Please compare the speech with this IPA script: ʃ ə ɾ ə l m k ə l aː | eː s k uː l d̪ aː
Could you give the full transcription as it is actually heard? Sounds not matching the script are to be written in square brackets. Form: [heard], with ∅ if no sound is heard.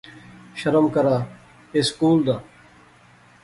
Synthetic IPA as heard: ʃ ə ɾ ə [∅] m k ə [ɾ] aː | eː s k uː l d̪ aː